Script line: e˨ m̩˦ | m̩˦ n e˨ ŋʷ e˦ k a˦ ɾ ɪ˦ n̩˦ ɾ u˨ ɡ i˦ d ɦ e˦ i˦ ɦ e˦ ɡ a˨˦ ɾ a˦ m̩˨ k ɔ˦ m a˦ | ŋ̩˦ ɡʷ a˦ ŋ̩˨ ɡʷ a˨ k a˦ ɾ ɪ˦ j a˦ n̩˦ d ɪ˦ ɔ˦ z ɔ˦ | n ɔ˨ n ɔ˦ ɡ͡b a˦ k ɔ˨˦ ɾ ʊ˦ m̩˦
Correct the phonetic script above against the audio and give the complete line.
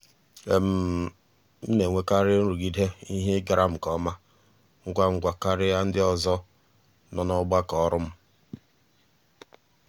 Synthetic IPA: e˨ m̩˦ | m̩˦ n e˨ ŋʷ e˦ k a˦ ɾ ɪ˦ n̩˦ ɾ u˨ ɡ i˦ d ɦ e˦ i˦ ɦ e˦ ɡ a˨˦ ɾ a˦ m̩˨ k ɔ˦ m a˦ | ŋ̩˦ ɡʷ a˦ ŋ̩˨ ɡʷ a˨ k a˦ ɾ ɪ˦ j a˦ n̩˦ d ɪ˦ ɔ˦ z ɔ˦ | n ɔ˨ n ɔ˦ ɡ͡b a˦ k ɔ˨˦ ɾ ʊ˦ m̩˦

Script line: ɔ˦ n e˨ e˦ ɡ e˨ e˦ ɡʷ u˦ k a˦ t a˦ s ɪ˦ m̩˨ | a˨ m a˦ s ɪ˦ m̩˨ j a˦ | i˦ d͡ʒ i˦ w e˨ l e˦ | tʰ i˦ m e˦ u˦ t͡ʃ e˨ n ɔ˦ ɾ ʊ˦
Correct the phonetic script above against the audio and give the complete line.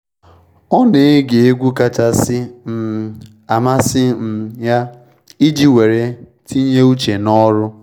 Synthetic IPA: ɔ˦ n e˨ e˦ ɡ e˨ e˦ ɡʷ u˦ k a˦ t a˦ s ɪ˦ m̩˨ | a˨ m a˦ s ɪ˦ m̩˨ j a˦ | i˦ d͡ʒ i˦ w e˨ ɾ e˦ | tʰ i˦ ɲ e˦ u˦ t͡ʃ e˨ n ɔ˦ ɾ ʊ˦

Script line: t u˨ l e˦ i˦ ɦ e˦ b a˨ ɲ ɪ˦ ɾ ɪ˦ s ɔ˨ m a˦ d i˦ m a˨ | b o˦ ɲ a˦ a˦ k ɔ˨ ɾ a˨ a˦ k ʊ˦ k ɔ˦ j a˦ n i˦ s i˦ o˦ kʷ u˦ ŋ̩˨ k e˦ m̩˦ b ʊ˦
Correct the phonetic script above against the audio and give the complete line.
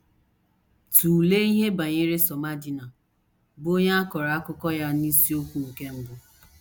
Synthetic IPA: t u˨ l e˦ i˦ ɦ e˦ b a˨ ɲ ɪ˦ ɾ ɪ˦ s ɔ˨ m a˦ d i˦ n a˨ | b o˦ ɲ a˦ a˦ k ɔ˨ ɾ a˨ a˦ k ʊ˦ k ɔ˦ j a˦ n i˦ s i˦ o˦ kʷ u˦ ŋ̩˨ k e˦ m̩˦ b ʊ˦

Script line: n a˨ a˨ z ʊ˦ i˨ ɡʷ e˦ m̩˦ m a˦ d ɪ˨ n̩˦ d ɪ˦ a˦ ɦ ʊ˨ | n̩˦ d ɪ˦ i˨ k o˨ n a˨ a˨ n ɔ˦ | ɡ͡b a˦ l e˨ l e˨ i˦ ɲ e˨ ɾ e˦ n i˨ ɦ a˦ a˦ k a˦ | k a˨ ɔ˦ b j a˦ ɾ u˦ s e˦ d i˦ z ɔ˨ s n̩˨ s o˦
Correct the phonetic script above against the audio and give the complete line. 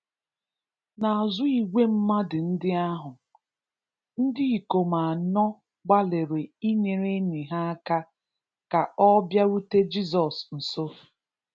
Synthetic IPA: n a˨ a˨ z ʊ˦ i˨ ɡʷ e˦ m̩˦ m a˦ d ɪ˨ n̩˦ d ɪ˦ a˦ ɦ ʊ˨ | n̩˦ d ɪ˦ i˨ k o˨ m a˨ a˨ n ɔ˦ | ɡ͡b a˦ l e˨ ɾ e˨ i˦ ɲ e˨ ɾ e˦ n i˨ ɦ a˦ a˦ k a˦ | k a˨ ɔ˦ b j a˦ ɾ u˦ t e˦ d͡ʒ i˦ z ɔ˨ s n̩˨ s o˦

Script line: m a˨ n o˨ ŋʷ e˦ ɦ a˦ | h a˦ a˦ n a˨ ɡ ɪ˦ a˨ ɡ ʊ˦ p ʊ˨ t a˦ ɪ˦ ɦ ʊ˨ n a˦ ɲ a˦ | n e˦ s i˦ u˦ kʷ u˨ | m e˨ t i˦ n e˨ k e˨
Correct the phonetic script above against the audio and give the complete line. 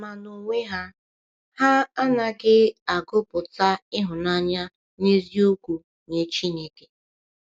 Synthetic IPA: m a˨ n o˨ ŋʷ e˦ ɦ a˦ | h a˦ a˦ n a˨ ɡ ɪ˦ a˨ ɡ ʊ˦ p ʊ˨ t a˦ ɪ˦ ɦ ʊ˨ n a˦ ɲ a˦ | n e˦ z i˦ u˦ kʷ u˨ | ɲ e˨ t͡ʃ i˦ n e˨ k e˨

